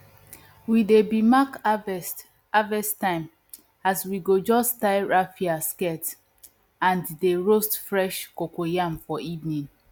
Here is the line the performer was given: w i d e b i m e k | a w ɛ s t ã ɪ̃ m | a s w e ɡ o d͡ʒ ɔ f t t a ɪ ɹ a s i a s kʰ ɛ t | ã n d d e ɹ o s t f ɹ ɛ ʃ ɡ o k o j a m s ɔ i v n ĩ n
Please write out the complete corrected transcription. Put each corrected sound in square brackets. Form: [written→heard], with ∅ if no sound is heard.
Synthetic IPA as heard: w i d e b i m [e→a] k | a [w→v] ɛ s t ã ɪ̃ m | a s w [e→i] ɡ o d͡ʒ ɔ [f→s] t t a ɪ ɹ a [s→f] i a s [kʰ→k] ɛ t | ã n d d e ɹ o s t f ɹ ɛ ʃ [ɡ→k] o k o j a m [s→f] ɔ i v n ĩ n